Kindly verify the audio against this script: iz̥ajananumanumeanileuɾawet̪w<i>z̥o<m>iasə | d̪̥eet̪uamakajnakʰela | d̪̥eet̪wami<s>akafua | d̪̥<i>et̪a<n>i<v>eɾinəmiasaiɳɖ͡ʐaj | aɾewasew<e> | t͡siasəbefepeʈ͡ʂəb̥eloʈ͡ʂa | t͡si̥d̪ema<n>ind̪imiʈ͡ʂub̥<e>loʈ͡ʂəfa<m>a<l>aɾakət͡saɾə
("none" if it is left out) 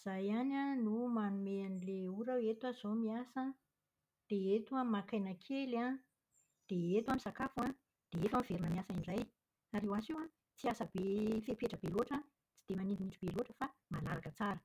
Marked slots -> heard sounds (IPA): a, m, s, e, m, v, a, n, e, m, l

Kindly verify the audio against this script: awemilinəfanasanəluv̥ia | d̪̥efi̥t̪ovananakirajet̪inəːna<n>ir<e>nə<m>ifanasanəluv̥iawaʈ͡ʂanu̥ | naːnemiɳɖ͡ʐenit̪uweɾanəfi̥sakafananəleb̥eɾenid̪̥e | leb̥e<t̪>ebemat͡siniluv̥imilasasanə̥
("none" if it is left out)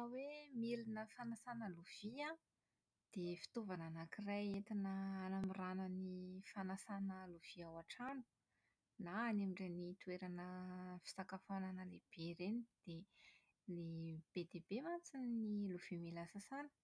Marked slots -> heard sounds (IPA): m, a, n, d̪

